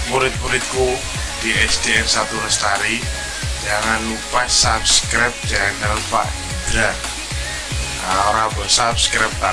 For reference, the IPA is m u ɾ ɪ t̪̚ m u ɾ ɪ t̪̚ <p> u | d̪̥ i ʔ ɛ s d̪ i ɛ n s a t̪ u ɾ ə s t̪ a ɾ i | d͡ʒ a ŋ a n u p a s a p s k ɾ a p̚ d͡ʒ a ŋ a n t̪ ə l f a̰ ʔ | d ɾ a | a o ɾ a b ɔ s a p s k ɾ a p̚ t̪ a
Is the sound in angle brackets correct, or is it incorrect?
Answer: incorrect